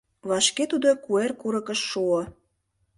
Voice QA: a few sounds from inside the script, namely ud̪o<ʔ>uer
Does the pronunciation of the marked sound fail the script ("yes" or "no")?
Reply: yes